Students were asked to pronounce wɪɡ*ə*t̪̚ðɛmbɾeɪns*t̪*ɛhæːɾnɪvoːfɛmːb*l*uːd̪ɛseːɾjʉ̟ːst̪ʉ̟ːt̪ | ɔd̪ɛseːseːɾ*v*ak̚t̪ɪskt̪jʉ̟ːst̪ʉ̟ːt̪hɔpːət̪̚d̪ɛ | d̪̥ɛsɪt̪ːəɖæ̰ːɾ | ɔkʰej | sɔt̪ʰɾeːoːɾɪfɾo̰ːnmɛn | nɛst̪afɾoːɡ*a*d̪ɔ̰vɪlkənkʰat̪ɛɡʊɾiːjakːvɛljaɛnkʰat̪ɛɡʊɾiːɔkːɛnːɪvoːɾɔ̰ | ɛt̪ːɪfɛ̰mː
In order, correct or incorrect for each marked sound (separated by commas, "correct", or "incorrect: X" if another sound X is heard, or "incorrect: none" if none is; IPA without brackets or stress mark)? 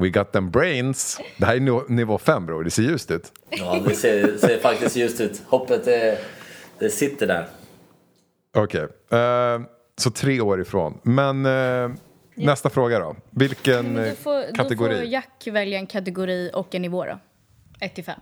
incorrect: ɑ, incorrect: d̪, incorrect: ɾ, incorrect: f, correct